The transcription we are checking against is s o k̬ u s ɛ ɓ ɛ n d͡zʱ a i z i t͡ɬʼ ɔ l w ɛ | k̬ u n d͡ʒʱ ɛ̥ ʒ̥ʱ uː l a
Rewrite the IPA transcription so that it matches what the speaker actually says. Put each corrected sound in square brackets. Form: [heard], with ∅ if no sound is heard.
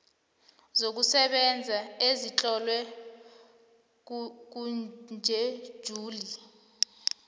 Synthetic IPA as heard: [z] o k̬ u s ɛ ɓ ɛ n d͡zʱ a [e] z i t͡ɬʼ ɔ l w ɛ | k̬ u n d͡ʒʱ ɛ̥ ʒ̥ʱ uː l [i]